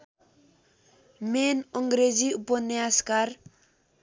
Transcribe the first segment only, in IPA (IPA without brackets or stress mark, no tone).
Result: m